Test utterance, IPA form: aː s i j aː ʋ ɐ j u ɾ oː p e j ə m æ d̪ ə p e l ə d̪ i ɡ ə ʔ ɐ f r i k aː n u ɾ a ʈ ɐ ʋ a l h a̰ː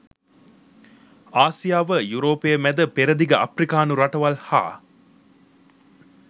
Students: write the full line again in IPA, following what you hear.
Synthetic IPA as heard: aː s i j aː ʋ ə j u ɾ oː p e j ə m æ d̪ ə p e ɾ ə d̪ i ɡ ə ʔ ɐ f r i k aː n u ɾ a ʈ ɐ ʋ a l h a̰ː